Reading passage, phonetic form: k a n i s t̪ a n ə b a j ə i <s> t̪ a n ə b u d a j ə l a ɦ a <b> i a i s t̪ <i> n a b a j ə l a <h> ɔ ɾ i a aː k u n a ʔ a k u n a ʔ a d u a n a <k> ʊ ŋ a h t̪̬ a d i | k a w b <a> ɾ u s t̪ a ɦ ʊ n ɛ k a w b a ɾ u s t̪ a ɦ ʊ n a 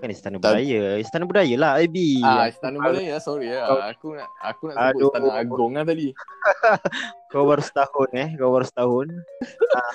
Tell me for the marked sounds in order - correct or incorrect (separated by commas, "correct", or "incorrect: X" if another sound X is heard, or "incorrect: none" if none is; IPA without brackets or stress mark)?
correct, correct, incorrect: a, incorrect: s, incorrect: ɡ, correct